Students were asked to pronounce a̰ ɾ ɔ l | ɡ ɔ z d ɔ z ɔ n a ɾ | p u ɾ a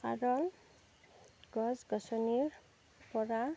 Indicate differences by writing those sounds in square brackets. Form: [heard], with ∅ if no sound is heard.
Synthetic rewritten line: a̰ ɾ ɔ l | ɡ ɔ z [ɡ] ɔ [s] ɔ n [i] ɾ | p [ɔ] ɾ a